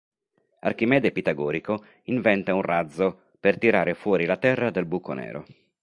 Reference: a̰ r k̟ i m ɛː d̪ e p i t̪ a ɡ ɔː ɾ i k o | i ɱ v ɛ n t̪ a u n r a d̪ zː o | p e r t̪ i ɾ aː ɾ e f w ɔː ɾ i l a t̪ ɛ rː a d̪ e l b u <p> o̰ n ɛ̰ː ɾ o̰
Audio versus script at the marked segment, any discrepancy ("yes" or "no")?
yes